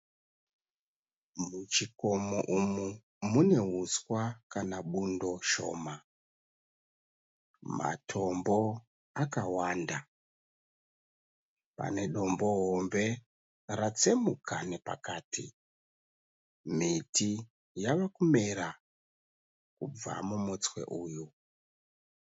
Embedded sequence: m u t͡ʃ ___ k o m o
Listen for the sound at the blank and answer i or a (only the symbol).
i